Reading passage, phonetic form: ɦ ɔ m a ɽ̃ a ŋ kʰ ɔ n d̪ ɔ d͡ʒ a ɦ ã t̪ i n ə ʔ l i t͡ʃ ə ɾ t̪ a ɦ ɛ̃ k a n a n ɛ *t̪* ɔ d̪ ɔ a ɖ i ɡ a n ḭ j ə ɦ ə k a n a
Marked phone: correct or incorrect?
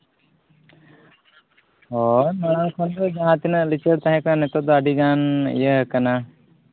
correct